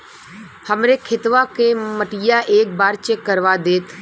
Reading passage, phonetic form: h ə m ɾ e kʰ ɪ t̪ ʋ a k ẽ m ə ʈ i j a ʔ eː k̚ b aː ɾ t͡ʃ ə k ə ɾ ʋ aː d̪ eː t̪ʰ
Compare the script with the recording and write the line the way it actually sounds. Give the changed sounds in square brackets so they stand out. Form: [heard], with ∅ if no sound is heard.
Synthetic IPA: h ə m ɾ e kʰ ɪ t̪ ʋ a k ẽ m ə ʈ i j a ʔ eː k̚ b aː ɾ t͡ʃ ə k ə ɾ ʋ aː d̪ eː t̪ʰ